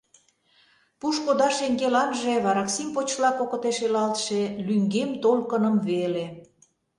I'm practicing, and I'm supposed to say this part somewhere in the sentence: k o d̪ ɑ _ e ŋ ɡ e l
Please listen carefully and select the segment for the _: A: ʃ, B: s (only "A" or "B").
A